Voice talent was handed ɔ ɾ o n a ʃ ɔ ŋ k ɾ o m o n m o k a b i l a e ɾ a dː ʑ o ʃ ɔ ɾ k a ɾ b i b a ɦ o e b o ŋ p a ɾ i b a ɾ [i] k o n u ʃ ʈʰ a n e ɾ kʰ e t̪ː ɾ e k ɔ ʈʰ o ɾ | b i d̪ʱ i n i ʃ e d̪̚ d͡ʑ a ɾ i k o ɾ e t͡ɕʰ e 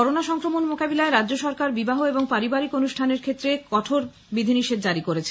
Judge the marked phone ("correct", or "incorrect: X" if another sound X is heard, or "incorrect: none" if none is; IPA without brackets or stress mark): correct